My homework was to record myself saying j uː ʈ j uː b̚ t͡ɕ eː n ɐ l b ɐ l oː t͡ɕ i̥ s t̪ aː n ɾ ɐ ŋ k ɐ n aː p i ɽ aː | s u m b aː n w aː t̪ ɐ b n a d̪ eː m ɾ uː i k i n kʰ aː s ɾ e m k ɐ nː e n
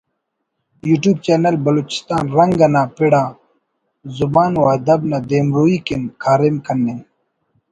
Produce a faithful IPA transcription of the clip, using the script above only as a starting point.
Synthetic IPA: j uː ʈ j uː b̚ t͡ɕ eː n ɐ l b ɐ l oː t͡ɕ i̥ s t̪ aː n ɾ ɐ ŋ ɡ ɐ n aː p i ɽ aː | z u b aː n w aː d̪ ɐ b n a d̪ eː m ɾ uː i k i n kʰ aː ɾ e m k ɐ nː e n